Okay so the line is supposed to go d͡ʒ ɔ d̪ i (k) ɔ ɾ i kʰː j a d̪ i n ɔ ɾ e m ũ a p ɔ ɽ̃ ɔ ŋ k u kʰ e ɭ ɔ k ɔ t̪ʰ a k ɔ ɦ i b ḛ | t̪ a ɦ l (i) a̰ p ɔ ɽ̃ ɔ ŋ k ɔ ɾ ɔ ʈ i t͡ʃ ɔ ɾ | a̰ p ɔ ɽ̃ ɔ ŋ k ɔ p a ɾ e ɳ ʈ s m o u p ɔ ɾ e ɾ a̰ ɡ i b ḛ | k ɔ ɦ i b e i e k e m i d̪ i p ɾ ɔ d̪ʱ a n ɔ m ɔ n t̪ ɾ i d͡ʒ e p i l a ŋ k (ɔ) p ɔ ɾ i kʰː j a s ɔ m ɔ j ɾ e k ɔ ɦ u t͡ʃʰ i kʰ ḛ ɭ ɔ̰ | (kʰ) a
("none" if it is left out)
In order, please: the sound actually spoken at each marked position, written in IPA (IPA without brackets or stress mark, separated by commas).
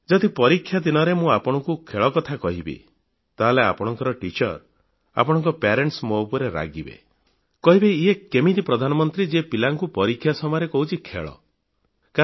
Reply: p, e, u, k